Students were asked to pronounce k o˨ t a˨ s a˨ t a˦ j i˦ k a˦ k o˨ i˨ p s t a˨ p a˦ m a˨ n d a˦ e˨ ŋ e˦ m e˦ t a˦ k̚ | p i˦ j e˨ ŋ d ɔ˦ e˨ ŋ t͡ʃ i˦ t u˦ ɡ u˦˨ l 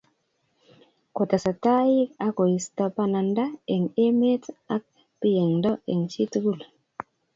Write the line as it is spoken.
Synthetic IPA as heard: k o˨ t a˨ s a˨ t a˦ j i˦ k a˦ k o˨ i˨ s t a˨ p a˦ n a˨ n d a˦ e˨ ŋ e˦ m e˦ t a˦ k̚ | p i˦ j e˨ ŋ d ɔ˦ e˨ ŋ t͡ʃ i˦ t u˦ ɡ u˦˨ l

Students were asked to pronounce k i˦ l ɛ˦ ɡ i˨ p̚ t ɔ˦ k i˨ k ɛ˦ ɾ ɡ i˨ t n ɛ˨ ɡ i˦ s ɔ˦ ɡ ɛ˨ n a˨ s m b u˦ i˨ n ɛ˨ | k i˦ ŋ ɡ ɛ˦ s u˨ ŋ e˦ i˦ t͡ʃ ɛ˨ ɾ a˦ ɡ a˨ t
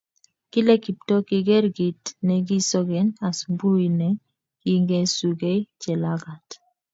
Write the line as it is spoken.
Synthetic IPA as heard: k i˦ l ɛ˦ k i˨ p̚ t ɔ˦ k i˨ ɡ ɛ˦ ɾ ɡ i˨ t n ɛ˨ ɡ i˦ s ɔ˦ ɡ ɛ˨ n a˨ s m b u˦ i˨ n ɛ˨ | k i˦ ŋ ɡ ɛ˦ s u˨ ɡ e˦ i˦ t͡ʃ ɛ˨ l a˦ ɡ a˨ t

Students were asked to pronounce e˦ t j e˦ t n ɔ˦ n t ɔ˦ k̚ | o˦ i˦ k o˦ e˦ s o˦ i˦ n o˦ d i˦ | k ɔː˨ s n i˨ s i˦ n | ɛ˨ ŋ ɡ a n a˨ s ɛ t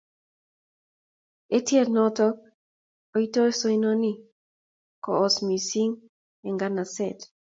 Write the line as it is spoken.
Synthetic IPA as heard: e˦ t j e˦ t n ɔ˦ t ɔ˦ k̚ | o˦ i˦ t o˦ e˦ s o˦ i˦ n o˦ n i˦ | k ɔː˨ s m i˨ s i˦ ŋ | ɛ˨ ŋ ɡ a n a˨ s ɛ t

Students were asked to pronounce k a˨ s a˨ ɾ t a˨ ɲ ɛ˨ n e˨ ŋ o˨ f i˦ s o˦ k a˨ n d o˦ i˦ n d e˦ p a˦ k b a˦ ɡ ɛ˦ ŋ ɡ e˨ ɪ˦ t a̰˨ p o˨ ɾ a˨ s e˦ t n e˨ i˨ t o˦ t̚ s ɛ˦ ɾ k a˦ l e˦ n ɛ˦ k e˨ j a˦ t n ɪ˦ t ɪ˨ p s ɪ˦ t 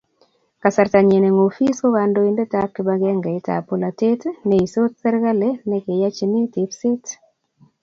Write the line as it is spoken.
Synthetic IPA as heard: k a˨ s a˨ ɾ t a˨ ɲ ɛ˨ n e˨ ŋ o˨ f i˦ s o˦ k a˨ n d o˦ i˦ n d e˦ t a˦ k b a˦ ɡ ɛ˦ ŋ ɡ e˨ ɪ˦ t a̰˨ p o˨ l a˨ t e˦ t n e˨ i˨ s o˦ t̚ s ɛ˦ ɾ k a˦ l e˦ n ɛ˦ k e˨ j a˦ t͡ʃ n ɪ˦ t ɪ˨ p s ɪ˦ t

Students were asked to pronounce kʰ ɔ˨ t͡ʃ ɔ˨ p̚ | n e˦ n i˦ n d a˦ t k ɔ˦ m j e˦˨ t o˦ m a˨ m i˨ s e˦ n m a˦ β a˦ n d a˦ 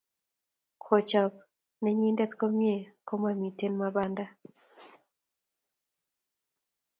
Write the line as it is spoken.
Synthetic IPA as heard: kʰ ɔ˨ t͡ʃ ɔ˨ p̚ | n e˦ ɲ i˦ n d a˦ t k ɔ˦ m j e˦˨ k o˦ m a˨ m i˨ t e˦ n m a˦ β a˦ n d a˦

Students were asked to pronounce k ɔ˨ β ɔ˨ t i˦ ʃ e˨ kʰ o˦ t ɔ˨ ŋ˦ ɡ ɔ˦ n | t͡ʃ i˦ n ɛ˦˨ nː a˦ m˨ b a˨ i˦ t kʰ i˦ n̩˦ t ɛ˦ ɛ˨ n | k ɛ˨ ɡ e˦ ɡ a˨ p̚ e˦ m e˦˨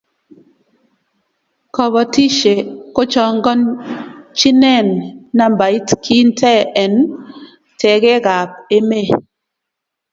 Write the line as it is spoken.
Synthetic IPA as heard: k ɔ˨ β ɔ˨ t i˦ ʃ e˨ k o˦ t͡ʃ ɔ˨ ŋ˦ ɡ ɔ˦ n | t͡ʃ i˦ n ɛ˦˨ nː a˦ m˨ b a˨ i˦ t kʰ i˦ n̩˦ t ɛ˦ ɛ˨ n | t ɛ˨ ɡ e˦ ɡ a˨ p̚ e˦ m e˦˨

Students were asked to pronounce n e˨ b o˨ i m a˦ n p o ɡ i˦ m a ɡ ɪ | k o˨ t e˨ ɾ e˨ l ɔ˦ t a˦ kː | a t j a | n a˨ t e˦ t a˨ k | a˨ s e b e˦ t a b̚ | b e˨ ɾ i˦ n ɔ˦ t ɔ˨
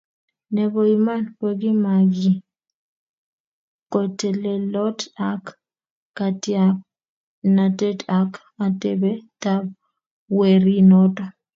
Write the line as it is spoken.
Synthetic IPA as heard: n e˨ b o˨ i m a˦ n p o ɡ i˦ m a ɡ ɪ | k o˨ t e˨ l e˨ l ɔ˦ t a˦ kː | a t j a | n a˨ t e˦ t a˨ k | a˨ t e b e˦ t a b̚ | w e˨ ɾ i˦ n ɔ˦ t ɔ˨

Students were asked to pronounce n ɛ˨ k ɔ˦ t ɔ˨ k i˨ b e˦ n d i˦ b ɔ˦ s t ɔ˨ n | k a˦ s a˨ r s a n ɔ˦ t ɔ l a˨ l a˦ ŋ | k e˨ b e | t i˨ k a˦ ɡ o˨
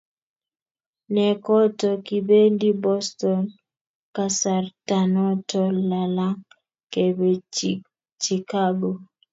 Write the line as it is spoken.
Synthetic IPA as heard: n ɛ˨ k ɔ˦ t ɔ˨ k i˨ b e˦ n d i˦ b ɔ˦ s t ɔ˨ n | k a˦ s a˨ r t a n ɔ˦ t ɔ l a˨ l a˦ ŋ | k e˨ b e | t͡ʃ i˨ k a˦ ɡ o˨

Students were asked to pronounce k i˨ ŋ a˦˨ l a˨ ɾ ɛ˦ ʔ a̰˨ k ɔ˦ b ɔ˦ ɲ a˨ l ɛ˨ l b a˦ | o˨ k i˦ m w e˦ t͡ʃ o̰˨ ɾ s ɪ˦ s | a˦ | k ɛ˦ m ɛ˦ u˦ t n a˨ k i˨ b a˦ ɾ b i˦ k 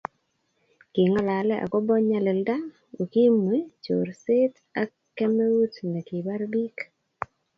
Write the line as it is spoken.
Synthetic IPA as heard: k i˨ ŋ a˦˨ l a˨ l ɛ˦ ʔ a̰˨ k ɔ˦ b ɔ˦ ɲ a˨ l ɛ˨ l d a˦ | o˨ k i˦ m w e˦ t͡ʃ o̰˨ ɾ s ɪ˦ t | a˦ | k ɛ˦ m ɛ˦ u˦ t n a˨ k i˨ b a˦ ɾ b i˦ k

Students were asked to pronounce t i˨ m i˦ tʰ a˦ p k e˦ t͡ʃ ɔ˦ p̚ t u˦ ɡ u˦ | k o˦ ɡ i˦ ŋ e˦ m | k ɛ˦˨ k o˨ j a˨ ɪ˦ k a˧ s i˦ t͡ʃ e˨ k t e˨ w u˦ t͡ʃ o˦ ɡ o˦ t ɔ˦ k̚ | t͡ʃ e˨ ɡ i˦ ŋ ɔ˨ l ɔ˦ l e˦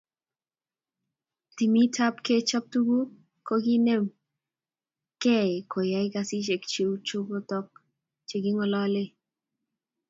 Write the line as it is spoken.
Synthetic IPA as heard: t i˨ m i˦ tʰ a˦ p k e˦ t͡ʃ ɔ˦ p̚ t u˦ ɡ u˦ | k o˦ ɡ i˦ n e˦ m | k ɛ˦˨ k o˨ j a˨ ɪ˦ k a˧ s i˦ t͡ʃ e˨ k t͡ʃ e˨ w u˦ t͡ʃ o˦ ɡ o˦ t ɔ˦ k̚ | t͡ʃ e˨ ɡ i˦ ŋ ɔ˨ l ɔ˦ l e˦

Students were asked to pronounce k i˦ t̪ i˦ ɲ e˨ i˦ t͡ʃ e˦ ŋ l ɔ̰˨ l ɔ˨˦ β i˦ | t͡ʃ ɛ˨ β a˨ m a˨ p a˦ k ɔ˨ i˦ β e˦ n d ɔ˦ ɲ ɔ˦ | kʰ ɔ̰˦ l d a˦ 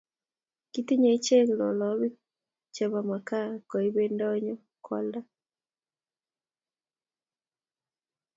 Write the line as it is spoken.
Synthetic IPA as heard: k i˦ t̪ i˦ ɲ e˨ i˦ t͡ʃ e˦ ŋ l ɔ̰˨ l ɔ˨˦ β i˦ | t͡ʃ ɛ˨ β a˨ m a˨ k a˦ k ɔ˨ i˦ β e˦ n d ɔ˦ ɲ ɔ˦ | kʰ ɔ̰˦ l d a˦

